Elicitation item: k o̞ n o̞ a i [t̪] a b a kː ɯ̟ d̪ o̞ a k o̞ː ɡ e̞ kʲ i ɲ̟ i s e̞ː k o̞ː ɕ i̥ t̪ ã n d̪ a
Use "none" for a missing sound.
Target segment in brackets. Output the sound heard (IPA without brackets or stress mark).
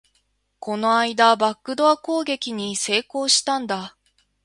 d̪